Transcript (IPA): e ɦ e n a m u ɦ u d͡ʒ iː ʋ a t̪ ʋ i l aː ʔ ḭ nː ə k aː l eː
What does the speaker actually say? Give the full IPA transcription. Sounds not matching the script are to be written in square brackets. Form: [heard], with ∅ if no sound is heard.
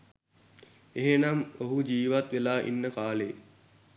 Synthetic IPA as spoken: e ɦ e n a m [o] ɦ u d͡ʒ iː ʋ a t̪ ʋ [e] l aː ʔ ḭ nː ə k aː l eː